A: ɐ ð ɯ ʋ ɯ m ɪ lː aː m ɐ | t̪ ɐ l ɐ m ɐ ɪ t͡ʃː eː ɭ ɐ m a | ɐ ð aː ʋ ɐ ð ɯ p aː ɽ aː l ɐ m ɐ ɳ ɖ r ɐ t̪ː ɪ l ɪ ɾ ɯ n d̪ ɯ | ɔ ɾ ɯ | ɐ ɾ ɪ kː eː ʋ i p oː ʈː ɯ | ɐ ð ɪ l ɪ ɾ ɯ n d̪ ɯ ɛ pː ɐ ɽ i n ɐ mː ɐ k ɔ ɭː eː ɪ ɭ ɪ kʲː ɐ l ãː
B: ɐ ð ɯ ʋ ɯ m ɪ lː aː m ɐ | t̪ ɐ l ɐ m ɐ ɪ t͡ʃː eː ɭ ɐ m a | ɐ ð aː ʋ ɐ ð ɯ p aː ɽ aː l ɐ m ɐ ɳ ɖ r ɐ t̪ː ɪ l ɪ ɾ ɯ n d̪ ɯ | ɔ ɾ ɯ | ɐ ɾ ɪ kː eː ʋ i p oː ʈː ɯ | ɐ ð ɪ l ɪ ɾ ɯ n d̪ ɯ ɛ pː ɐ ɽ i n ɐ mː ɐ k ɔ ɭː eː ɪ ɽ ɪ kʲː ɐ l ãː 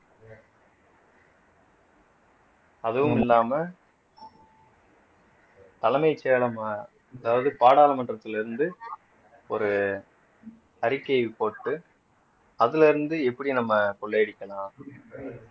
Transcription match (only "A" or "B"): B